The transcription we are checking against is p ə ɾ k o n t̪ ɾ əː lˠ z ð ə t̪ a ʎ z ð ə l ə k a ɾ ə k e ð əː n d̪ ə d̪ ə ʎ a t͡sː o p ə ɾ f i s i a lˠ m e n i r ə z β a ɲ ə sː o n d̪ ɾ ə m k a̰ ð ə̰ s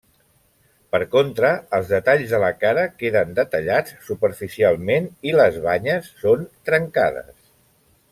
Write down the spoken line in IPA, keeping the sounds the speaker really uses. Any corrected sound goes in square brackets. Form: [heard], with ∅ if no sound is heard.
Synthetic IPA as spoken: p ə ɾ k o n t̪ ɾ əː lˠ z ð ə t̪ a ʎ z ð ə l ə k a ɾ ə k e ð [ə] n d̪ ə [t̪] ə ʎ a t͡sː [u] p ə ɾ f i s i a lˠ m e n i [l] ə z β a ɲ ə sː o n [t̪] ɾ ə [ŋ] k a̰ ð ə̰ s